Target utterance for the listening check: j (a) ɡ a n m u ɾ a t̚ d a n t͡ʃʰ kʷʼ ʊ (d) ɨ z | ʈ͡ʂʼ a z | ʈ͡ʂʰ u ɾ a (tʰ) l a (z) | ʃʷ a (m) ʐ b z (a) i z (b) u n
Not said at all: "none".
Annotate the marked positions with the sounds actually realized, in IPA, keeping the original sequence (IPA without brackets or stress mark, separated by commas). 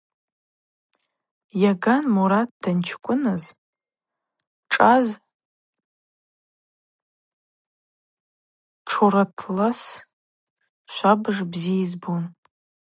a, n, tʰ, s, b, i, b